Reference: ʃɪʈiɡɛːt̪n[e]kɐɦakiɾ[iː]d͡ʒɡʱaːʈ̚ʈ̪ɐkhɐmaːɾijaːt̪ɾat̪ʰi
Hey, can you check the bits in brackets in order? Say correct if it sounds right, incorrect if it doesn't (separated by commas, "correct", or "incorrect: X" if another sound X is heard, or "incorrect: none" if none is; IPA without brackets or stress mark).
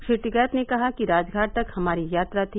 correct, incorrect: aː